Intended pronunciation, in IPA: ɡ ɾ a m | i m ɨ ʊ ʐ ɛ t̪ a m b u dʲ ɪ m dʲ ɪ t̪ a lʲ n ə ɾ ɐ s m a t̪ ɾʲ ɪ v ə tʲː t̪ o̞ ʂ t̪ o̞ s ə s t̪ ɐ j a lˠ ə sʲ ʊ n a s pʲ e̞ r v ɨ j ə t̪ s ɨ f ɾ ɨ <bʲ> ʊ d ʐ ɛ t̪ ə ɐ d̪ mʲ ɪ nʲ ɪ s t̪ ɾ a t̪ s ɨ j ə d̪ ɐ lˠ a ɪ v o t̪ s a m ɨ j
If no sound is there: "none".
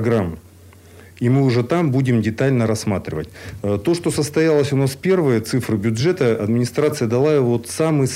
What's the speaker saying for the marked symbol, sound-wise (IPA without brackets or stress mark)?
bʲ